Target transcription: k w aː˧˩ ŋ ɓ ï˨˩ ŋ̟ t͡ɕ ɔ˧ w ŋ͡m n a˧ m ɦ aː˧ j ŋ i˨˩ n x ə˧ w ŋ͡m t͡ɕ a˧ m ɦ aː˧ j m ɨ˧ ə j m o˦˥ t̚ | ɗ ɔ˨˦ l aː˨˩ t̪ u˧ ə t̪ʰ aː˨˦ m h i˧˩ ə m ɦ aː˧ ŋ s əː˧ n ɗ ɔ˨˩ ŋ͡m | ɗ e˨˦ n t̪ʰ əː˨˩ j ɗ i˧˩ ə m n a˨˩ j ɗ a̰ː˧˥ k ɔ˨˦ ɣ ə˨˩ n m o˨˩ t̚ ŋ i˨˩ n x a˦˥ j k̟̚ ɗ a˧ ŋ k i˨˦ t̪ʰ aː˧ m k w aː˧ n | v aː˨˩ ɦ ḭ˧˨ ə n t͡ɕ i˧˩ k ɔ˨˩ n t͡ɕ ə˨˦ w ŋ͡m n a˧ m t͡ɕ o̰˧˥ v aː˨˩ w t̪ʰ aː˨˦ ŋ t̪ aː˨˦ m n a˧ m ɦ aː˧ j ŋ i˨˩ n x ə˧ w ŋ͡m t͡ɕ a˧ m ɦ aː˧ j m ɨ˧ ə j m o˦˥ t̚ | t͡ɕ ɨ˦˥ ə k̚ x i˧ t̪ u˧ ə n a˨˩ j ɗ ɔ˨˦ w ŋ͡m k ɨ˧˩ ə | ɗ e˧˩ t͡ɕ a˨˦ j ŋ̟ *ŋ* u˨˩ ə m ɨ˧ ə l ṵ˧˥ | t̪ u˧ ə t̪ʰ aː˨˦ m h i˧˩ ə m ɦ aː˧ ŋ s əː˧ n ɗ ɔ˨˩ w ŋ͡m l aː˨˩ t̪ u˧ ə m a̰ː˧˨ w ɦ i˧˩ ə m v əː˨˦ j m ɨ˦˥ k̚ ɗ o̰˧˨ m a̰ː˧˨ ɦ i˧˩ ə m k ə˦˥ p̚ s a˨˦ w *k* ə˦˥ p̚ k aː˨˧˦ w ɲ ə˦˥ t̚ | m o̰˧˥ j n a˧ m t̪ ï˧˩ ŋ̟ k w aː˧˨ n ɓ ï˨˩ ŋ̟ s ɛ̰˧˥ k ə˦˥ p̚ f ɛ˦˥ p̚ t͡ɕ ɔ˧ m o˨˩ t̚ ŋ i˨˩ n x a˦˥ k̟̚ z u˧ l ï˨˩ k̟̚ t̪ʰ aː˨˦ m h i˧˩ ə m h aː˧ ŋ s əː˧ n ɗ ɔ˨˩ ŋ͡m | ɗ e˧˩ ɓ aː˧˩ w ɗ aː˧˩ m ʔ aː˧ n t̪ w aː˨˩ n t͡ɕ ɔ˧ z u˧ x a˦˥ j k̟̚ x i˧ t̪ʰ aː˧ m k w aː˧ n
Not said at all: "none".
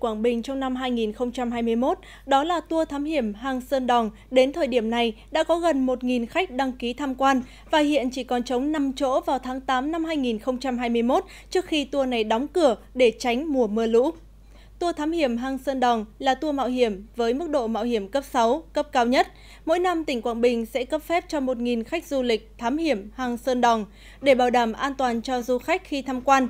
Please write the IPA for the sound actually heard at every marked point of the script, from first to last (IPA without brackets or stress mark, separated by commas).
m, k